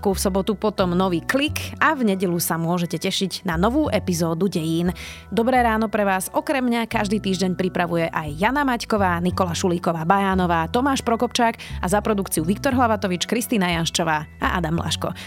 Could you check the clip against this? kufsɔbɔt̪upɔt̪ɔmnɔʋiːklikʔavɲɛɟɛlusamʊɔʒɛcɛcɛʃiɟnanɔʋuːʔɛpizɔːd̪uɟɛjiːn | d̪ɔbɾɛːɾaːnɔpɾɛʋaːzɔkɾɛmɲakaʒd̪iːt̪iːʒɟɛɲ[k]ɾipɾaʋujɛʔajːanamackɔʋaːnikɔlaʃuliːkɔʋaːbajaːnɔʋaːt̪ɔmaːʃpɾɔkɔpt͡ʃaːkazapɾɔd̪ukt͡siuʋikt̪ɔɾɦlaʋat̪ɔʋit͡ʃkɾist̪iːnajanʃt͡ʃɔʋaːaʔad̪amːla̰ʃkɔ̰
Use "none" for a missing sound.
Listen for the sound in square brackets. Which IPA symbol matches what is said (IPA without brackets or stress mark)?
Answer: p